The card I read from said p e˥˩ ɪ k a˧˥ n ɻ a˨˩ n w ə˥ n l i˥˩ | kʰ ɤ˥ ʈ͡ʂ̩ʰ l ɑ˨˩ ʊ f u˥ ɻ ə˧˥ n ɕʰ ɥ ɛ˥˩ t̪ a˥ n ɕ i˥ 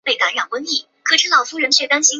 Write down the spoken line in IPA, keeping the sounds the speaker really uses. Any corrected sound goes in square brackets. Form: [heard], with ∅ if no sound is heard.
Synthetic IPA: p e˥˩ ɪ k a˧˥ n ɻ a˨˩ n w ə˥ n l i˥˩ | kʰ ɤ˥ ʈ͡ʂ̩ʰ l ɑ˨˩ ʊ f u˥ ɻ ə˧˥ n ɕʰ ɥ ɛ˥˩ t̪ a˥ n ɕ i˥